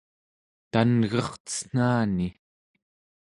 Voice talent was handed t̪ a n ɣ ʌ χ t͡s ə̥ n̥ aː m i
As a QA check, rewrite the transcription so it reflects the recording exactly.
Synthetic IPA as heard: t̪ a n ɣ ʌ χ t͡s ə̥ n̥ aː n i